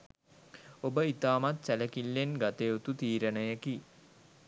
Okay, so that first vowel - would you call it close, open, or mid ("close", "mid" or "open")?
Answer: mid